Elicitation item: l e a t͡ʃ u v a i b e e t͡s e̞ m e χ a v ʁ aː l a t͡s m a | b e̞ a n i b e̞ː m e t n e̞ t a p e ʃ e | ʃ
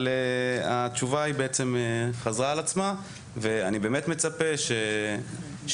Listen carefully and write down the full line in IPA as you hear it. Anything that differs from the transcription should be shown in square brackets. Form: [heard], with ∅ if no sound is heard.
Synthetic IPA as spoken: l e a t͡ʃ u v a i b e e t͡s e̞ m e χ a [z] ʁ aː l a t͡s m a | [v] e̞ a n i b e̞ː m e t [m] e̞ [t͡s] a p e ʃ e | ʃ